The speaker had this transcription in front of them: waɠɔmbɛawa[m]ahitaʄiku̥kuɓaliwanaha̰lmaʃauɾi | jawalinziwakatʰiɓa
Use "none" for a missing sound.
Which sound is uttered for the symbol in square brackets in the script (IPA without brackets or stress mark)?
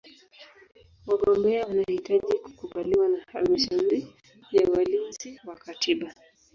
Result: n